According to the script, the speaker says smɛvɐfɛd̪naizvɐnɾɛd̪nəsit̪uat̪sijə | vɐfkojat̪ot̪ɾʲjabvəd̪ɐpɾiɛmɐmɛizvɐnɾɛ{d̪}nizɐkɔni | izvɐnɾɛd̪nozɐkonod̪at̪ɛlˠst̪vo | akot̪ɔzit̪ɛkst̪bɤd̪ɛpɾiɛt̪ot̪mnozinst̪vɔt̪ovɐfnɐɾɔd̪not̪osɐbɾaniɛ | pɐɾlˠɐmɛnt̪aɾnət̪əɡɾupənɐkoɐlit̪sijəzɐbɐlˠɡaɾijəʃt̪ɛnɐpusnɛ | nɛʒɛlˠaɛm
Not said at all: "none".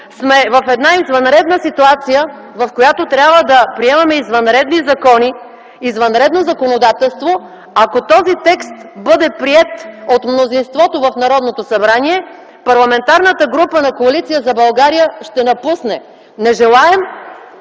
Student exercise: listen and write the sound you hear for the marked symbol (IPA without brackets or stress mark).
d̪